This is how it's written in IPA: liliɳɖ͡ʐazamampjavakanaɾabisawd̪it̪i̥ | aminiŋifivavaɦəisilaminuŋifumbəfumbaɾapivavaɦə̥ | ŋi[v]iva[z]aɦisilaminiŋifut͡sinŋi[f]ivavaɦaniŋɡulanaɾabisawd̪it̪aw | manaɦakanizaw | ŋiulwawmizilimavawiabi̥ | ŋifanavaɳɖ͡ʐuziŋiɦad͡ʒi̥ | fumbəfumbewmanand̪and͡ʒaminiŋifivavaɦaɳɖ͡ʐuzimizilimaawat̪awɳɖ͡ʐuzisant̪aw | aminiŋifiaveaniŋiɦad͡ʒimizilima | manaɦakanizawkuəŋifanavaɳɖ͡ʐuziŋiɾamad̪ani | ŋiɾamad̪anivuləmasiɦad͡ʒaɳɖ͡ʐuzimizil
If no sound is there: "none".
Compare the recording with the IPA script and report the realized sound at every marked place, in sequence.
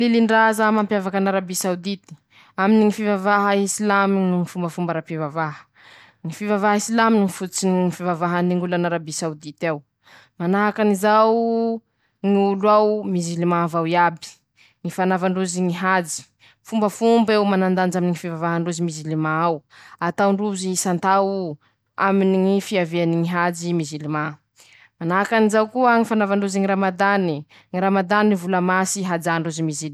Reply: f, v, f

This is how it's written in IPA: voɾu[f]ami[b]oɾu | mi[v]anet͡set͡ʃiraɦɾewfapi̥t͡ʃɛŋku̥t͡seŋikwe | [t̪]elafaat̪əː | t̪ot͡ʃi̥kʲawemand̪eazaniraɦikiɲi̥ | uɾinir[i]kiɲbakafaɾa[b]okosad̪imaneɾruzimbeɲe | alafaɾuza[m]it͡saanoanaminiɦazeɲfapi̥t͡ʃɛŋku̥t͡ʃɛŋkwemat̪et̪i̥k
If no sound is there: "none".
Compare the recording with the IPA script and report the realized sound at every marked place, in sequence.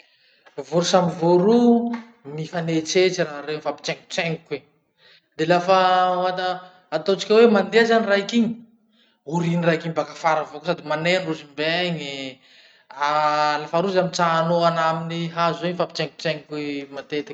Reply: s, v, f, d̪, a, v, m

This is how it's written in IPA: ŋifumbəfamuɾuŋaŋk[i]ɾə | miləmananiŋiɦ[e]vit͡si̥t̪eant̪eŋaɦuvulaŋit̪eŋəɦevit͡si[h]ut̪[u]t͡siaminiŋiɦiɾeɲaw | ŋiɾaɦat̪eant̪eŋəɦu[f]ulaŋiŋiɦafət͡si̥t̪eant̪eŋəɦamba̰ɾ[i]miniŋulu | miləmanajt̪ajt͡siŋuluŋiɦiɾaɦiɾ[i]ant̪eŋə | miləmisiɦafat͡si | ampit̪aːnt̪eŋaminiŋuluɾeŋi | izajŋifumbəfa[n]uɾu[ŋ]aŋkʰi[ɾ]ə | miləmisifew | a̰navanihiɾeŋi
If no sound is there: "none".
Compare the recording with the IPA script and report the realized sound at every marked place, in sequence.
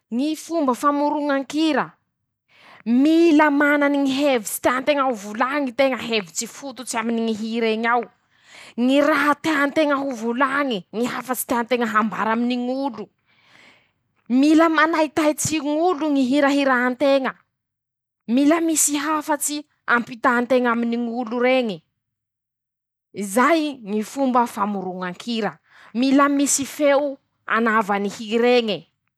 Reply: i, e, f, u, v, a, a, m, ŋ, ɾ

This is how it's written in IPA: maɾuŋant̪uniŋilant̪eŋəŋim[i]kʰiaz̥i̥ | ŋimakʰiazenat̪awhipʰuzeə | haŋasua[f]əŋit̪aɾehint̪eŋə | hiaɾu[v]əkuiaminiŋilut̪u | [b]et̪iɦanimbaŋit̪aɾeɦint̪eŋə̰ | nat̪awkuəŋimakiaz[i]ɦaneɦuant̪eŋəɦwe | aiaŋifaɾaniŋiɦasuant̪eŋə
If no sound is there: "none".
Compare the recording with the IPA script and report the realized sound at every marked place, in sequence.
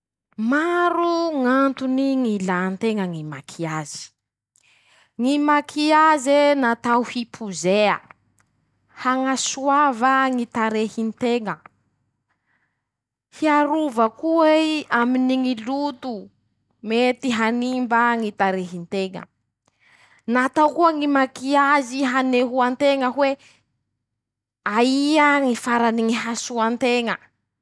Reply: a, v, v, m, i

